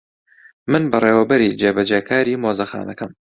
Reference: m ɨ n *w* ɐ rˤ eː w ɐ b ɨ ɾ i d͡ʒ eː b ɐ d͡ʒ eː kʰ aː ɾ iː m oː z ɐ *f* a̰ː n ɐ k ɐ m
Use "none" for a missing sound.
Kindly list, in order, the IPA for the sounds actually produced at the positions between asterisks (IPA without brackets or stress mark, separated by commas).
b, x